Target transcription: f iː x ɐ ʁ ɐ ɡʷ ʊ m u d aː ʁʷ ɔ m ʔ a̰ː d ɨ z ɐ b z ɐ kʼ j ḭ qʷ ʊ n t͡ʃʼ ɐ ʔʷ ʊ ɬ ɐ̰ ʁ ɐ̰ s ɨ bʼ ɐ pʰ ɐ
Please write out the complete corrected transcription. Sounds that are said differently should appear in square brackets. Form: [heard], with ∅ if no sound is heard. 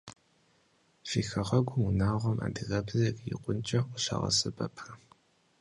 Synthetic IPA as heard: f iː x ɐ ʁ ɐ ɡʷ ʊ m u [n] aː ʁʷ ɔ m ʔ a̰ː d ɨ [ɣ] ɐ b z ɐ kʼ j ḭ qʷ ʊ n t͡ʃʼ ɐ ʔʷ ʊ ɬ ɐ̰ ʁ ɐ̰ s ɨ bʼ ɐ pʰ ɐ